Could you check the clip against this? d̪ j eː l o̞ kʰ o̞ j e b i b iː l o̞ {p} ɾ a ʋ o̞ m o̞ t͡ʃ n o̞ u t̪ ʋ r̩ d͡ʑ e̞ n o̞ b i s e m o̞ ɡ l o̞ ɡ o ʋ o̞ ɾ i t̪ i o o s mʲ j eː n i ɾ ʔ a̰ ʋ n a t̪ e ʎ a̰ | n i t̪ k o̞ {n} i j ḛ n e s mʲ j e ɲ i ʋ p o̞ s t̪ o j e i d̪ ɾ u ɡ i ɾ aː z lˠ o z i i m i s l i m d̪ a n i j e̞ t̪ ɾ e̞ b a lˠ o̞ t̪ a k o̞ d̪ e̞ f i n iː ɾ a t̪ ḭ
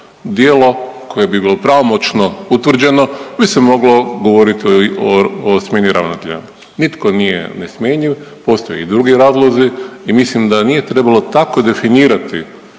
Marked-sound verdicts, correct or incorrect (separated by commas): correct, correct